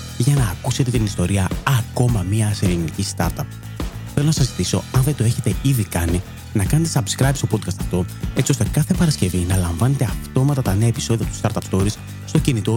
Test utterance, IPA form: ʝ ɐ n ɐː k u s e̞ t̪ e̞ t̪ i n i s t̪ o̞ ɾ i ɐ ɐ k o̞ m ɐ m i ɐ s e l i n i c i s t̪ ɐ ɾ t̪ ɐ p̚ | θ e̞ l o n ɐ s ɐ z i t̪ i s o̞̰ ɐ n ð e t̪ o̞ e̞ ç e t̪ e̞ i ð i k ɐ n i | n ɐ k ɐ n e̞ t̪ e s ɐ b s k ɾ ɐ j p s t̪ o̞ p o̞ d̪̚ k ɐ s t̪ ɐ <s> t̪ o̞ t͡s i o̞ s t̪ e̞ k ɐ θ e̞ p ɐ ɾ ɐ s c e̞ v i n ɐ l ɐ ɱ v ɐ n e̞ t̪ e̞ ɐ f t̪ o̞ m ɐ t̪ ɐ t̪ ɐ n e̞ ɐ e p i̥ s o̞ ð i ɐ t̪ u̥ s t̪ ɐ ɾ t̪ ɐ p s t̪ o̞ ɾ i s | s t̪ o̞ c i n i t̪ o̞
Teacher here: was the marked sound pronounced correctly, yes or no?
no